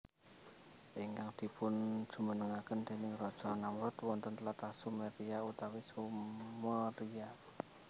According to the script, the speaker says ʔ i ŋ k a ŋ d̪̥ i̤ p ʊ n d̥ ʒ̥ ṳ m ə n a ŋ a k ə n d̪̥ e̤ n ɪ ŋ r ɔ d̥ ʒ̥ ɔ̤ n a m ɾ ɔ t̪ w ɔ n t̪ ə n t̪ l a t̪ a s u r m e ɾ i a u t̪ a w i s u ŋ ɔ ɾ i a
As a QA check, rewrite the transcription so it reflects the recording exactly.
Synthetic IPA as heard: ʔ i ŋ k a ŋ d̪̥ i̤ p ʊ n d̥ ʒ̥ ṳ m ə n ə ŋ a k ə n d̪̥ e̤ n ɪ ŋ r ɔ d̥ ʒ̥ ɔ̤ n a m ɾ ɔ t̪ w ɔ n t̪ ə n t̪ l a t̪ a s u m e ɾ i a u t̪ a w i s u m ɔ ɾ i a